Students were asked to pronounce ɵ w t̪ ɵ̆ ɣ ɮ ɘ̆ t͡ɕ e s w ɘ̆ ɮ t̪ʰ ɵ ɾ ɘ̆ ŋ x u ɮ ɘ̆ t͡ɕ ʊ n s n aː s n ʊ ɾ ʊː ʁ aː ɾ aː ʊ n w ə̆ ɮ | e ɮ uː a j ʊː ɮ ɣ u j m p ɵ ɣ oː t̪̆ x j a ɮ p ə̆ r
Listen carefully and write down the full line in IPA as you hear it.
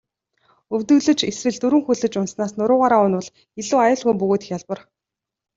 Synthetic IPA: ɵ w t̪ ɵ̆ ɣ ɮ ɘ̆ t͡ɕ e s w ɘ̆ ɮ t̪ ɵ ɾ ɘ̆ ŋ x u ɮ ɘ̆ t͡ɕ ʊ n s n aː s n ʊ ɾ ʊː ʁ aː ɾ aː ʊ n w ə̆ ɮ | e ɮ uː a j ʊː ɮ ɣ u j m p ɵ ɣ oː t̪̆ x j a ɮ p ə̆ r